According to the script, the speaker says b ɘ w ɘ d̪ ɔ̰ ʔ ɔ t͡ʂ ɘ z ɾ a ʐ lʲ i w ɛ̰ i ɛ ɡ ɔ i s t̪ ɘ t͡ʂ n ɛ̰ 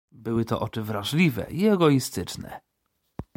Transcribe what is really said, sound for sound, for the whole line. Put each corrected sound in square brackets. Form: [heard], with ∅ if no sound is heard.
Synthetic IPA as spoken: b ɘ w ɘ [t̪] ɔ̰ ʔ ɔ t͡ʂ ɘ [v] ɾ a ʐ lʲ i [v] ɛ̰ i ɛ ɡ ɔ i s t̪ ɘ t͡ʂ n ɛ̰